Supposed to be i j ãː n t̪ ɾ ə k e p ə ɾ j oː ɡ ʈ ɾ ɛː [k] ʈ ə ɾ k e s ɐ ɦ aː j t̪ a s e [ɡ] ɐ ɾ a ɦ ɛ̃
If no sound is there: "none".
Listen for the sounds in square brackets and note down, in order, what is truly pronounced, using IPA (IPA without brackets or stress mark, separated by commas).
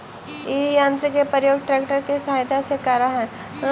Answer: k, k